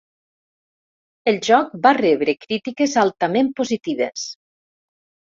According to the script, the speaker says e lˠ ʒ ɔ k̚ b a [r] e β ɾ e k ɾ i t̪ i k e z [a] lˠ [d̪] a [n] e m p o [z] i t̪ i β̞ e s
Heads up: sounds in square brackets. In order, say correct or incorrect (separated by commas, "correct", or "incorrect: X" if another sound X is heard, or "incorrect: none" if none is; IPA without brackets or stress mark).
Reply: correct, correct, incorrect: t̪, incorrect: m, correct